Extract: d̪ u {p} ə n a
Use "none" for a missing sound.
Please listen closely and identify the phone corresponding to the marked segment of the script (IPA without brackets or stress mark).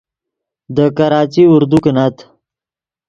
k